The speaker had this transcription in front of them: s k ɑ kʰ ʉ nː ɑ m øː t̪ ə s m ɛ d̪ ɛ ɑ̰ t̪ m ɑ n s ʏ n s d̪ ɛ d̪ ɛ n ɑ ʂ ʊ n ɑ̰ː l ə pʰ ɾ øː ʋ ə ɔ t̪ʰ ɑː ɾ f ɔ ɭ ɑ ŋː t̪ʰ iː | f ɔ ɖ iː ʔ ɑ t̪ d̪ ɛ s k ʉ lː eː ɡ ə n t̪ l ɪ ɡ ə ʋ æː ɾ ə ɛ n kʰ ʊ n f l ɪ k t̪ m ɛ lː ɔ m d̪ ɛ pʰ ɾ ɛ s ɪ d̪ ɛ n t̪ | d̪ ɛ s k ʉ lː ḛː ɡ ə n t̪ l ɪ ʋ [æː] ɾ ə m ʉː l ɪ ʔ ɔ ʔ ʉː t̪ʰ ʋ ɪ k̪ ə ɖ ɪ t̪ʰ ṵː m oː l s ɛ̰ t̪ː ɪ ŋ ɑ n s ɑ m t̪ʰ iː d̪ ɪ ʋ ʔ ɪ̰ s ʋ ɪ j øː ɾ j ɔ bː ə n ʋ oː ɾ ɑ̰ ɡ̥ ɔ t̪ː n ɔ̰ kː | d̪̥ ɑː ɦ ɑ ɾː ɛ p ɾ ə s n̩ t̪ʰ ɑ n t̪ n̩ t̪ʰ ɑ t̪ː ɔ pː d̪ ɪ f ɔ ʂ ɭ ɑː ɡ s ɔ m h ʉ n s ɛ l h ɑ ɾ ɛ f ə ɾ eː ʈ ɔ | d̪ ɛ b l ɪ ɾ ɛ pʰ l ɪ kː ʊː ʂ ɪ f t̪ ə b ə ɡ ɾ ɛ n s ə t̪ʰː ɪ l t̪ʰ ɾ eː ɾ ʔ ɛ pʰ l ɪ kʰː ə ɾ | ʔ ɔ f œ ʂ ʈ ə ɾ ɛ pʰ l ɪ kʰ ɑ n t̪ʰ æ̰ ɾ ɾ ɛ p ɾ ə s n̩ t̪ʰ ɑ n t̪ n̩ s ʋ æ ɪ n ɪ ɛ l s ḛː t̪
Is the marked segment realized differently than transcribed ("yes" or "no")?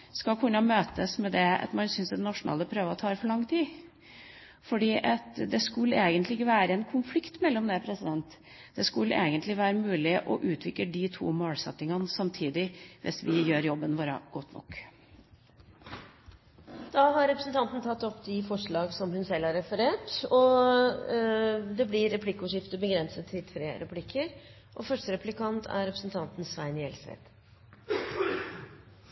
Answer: no